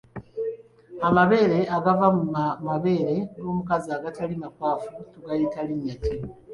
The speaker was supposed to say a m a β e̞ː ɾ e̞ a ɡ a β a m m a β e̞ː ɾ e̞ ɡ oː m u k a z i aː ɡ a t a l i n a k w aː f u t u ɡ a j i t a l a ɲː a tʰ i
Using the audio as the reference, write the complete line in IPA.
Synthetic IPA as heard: a m a β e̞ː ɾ e̞ a ɡ a v a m m a β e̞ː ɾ e̞ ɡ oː m u k a z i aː ɡ a t a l i m a k w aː f u t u ɡ a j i t a l i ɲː a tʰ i